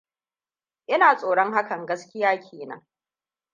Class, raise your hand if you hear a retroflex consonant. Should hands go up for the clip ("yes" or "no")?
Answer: yes